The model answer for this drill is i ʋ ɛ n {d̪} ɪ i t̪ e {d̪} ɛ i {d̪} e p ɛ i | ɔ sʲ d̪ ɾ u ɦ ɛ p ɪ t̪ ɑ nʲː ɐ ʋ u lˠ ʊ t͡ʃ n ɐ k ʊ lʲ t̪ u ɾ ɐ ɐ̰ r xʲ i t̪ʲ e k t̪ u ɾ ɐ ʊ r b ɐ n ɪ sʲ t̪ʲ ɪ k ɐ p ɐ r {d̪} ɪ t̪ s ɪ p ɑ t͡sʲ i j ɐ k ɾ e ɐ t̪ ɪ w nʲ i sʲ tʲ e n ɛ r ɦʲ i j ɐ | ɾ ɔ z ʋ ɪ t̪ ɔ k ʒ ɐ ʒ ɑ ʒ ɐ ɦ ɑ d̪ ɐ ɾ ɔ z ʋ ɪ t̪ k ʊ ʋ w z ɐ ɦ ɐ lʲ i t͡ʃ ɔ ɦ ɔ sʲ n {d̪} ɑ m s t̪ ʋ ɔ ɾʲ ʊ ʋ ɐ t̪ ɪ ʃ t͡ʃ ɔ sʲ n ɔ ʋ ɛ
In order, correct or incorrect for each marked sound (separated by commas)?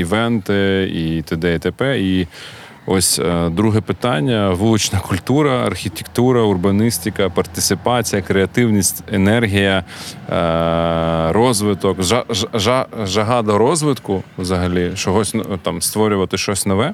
incorrect, correct, incorrect, incorrect, incorrect